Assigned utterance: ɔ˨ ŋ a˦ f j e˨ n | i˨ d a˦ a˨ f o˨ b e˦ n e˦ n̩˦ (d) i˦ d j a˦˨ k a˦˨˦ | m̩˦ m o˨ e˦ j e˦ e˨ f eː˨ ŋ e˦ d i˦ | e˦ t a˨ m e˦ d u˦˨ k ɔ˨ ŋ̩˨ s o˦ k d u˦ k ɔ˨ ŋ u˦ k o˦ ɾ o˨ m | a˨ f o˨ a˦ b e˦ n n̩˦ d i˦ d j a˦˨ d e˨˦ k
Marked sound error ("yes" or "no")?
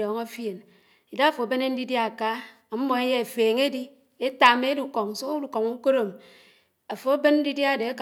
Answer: no